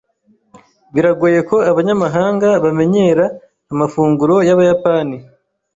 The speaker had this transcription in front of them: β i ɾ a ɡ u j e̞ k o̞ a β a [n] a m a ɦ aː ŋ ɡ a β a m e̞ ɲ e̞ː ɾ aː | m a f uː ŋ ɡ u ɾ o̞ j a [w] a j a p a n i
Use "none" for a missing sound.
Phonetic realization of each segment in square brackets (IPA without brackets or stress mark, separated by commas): ɲ, β